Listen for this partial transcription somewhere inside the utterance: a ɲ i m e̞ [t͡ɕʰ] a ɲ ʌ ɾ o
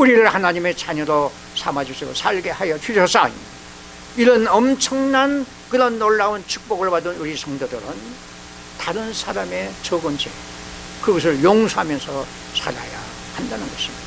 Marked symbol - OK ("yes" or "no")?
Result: no